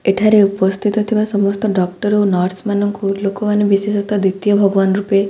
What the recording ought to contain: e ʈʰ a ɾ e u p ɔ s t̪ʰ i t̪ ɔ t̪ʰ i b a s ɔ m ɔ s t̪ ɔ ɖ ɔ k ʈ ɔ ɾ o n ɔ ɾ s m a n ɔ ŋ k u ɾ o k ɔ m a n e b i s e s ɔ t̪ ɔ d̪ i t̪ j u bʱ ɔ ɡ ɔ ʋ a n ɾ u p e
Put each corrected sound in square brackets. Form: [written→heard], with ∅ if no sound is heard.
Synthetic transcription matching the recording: e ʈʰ a ɾ e u p ɔ s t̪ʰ i t̪ ɔ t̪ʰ i b a s ɔ m ɔ s t̪ ɔ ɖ ɔ k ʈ ɔ ɾ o n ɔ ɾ s m a n ɔ ŋ k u [ɾ→l] o k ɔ m a n e b i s e s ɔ t̪ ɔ d̪ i t̪ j [u→ɔ] bʱ ɔ ɡ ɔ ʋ a n ɾ u p e